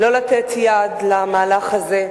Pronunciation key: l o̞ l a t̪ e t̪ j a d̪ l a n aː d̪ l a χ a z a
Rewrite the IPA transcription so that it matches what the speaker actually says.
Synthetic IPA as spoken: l o̞ l a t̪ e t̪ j a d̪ l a m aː l a χ a z e